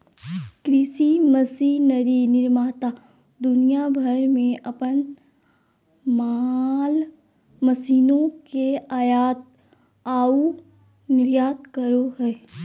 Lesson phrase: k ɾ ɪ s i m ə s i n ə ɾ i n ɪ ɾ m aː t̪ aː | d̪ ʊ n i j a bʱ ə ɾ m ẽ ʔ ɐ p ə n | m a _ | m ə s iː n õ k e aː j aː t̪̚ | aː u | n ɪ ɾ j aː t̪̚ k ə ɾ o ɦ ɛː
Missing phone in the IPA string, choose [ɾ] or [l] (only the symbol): l